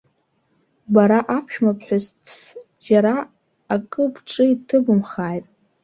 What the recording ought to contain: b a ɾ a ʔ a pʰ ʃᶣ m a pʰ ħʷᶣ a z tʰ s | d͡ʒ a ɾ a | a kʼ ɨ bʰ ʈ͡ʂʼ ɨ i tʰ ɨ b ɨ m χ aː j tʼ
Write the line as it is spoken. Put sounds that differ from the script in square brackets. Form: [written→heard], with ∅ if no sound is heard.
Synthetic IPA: b a ɾ a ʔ a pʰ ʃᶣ m a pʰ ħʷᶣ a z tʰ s | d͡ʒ a ɾ a | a kʼ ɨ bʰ ʈ͡ʂʼ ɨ i tʰ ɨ b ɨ m χ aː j tʼ

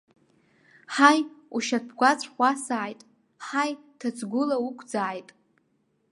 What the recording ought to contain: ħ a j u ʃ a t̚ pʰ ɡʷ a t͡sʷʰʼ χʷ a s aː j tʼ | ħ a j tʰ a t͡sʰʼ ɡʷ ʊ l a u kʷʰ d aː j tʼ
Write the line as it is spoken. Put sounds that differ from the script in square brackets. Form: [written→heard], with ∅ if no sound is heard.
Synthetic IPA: ħ a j u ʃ a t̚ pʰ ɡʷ a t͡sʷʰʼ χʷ a s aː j tʼ | ħ a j tʰ a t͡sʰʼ ɡʷ ʊ l a u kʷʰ [d→d͡z] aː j tʼ

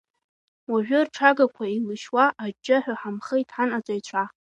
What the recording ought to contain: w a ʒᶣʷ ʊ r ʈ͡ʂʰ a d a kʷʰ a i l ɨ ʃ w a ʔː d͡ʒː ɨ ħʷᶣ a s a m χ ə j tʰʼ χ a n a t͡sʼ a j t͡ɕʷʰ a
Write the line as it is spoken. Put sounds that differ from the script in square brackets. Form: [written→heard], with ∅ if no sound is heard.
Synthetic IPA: w a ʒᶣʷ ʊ r ʈ͡ʂʰ a [d→ɡ] a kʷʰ a i l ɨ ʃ w a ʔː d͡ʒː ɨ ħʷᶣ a [s→ħ] a m χ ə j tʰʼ [χ→ħ] a n a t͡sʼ a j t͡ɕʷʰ a

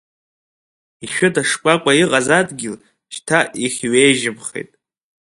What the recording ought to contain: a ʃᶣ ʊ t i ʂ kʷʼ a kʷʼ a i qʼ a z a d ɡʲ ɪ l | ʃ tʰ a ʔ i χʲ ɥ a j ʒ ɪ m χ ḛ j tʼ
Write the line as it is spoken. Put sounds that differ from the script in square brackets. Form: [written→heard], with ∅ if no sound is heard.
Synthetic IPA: [a→i] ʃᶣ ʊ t [i→a] ʂ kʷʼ a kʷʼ a i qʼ a z a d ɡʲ ɪ l | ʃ tʰ a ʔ i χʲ ɥ [a→e] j ʒ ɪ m χ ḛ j tʼ

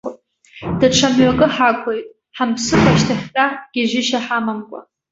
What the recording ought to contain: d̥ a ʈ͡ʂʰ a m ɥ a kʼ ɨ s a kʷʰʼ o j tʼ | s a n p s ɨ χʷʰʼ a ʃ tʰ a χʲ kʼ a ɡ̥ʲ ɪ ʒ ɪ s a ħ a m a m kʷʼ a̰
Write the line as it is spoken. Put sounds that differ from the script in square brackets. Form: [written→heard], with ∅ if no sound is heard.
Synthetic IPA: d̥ a ʈ͡ʂʰ a m ɥ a kʼ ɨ [s→ħ] a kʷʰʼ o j tʼ | [s→ħ] a [n→m] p s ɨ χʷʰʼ a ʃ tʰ a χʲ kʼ a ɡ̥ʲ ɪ ʒ ɪ [s→ʃ] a ħ a m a m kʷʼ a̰

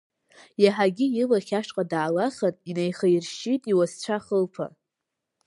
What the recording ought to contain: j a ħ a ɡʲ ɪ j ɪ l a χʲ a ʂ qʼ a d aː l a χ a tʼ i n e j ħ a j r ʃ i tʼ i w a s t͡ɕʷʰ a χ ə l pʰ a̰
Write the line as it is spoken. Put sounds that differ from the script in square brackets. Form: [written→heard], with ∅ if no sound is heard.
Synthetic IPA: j a ħ a ɡʲ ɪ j ɪ l a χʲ a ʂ qʼ a d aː l a χ a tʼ i n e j [ħ→χ] a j r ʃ i tʼ i w a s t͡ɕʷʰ a χ ə l pʰ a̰

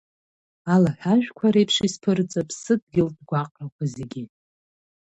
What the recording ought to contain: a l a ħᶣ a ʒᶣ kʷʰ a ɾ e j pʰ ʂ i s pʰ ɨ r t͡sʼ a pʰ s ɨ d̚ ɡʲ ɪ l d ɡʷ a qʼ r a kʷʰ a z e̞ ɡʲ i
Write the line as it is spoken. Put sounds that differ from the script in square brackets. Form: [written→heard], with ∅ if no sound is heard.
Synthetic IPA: a l a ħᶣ a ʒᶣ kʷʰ a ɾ e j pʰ ʂ i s pʰ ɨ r t͡sʼ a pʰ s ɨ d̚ ɡʲ ɪ l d ɡʷ a qʼ r a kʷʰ a z e̞ ɡʲ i

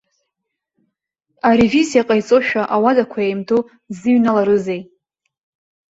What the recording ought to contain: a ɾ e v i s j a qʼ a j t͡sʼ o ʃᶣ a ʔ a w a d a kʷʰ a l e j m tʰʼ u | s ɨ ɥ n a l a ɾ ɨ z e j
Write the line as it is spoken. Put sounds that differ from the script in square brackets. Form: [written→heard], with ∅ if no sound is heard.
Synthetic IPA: a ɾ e v i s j a qʼ a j t͡sʼ o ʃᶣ a ʔ a w a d a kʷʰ a [l→∅] e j m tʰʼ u | [s→z] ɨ ɥ n a l a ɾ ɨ z e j

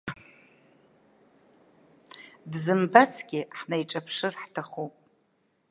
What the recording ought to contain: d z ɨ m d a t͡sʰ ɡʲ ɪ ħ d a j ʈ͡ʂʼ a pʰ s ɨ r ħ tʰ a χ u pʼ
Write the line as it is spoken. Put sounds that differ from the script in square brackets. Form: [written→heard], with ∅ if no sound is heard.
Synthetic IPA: d z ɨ m [d→b] a t͡sʰ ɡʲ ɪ ħ [d→n] a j ʈ͡ʂʼ a pʰ [s→ʂ] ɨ r ħ tʰ a χ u pʼ

